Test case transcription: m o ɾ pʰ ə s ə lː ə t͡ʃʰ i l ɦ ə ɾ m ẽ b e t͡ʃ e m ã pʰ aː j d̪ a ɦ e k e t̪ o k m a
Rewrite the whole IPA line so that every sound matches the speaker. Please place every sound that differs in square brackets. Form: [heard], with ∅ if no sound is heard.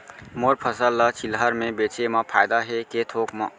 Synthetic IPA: m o ɾ pʰ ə s ə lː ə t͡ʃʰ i l ɦ ə ɾ m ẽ b e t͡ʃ e m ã pʰ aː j d̪ a ɦ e k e [t̪ʰ] o k m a